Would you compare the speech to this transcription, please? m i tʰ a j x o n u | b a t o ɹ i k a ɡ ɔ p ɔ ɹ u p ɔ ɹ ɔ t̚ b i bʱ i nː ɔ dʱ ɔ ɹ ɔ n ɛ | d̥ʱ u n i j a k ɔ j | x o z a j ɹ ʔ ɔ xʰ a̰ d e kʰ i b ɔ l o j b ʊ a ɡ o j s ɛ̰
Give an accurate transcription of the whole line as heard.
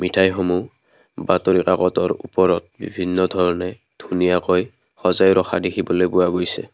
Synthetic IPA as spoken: m i tʰ a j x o m u | b a t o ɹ i k a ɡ ɔ t ɔ ɹ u p ɔ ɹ ɔ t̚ b i bʱ i nː ɔ dʱ ɔ ɹ ɔ n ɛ | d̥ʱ u n i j a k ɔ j | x ɔ z a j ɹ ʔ ɔ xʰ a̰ d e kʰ i b ɔ l o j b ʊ a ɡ o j s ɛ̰